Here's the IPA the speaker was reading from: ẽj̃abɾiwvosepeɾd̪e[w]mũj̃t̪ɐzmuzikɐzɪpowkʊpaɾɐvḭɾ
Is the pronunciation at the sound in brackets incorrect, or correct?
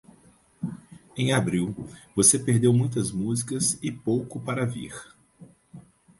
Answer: correct